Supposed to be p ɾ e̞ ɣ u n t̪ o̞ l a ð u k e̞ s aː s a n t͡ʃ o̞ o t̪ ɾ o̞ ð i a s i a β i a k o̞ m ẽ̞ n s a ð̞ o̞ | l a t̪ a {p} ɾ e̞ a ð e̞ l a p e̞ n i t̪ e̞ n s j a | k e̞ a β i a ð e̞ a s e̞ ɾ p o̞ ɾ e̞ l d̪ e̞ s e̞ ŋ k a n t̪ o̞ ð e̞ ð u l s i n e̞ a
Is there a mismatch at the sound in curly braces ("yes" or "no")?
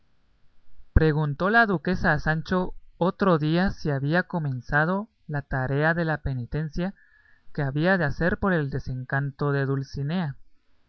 yes